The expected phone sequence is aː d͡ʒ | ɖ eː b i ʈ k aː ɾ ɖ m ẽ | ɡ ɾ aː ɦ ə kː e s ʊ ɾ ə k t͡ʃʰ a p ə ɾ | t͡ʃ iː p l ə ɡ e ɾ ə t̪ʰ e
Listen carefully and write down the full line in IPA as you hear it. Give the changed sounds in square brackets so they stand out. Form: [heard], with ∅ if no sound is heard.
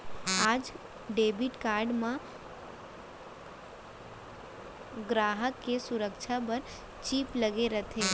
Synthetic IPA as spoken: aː d͡ʒ | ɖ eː b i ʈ k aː ɾ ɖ m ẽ | ɡ ɾ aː ɦ ə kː e s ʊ ɾ ə k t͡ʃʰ a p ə ɾ | t͡ʃ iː p l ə ɡ e ɾ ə t̪ʰ e